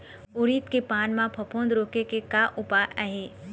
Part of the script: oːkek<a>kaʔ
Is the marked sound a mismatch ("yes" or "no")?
yes